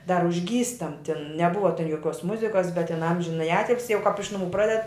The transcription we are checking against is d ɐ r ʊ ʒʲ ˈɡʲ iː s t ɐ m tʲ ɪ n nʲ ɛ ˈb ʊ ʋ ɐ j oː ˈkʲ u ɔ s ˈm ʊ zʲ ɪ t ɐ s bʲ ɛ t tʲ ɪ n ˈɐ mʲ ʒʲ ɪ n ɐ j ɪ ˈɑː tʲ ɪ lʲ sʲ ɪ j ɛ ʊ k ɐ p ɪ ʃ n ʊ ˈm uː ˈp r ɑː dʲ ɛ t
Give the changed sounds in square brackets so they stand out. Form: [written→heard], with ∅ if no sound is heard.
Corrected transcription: d ɐ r ʊ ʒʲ ˈɡʲ iː s t ɐ m tʲ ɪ n nʲ ɛ ˈb ʊ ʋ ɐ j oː ˈkʲ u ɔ s ˈm ʊ zʲ ɪ [t→k] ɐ s bʲ ɛ t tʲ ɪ n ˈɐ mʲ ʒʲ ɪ n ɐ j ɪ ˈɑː tʲ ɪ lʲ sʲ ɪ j ɛ ʊ k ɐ p ɪ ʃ n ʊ ˈm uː ˈp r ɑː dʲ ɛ t